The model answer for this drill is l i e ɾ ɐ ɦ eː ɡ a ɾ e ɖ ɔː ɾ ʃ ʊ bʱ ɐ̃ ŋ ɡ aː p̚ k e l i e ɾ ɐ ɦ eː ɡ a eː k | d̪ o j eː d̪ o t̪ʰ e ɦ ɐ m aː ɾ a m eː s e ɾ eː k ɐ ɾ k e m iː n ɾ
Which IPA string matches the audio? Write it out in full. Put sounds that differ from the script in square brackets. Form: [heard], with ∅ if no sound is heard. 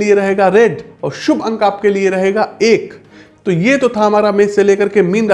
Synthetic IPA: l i e ɾ ɐ ɦ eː ɡ a ɾ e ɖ ɔː ɾ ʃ ʊ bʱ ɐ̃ ŋ [k] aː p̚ k e l i e ɾ ɐ ɦ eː ɡ a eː k | [t̪] o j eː [t̪] o t̪ʰ [a] ɦ ɐ m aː ɾ a m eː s e [l] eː k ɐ ɾ k e m iː n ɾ